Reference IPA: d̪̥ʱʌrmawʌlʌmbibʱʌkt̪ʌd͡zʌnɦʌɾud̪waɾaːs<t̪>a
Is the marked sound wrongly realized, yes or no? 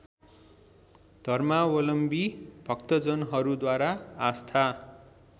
yes